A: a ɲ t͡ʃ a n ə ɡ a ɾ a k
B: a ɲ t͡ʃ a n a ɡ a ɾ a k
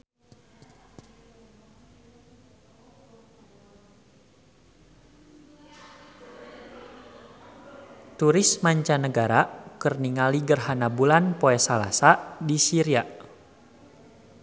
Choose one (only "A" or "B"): A